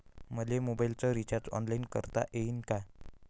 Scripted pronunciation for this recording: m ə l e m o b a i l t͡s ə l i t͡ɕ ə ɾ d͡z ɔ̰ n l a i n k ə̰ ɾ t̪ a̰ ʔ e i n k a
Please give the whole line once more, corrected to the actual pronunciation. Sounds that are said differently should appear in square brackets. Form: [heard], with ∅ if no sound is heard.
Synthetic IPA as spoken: m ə l e m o b a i l t͡s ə [ɾ] i t͡ɕ [a] ɾ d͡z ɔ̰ n l a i n k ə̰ ɾ t̪ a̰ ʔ e i n k a